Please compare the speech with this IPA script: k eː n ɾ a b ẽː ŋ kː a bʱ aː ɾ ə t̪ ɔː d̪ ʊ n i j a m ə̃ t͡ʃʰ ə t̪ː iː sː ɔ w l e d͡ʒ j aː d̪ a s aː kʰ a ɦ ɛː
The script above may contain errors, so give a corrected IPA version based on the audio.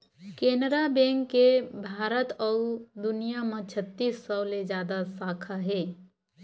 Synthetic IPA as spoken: k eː n ɾ a b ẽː ŋ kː e bʱ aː ɾ ə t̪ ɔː d̪ ʊ n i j a m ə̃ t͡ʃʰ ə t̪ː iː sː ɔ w l e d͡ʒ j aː d̪ a s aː kʰ a ɦ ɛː